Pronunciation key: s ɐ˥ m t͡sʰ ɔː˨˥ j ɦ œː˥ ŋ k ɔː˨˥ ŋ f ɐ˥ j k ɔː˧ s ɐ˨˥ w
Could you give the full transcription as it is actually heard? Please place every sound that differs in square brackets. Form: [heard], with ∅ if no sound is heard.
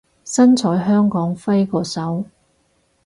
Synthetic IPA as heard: s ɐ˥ [n] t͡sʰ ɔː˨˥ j ɦ œː˥ ŋ k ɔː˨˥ ŋ f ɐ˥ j k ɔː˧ s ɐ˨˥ w